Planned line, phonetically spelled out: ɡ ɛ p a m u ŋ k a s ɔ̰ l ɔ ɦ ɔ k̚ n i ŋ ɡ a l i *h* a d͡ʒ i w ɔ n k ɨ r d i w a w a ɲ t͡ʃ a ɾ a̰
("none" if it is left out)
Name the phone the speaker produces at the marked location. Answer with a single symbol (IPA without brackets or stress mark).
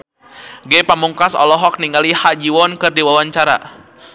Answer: h